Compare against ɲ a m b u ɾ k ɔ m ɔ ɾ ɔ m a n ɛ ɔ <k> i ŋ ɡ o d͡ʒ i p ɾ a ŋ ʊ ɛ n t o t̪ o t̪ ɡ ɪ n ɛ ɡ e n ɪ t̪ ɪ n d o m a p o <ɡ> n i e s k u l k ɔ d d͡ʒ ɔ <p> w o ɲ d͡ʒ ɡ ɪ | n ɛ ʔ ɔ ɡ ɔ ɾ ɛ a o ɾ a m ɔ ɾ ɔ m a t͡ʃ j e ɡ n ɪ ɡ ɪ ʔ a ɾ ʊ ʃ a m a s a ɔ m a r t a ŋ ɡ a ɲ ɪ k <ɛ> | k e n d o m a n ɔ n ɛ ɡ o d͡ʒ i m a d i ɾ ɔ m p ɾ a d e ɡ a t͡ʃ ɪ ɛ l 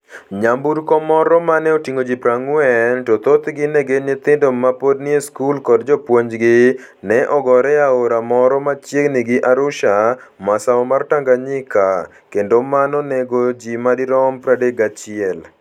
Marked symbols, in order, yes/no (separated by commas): no, no, yes, no